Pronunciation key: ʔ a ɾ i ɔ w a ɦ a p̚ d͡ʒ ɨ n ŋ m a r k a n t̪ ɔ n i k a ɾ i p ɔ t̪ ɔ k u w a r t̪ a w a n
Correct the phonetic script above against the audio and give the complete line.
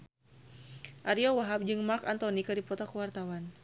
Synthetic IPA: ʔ a ɾ i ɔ w a ɦ a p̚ d͡ʒ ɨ ŋ m a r k a n t̪ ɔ n i k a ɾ i p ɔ t̪ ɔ k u w a r t̪ a w a n